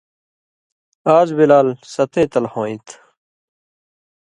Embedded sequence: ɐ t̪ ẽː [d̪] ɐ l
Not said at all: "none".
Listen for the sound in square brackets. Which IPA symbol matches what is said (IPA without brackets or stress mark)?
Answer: t̪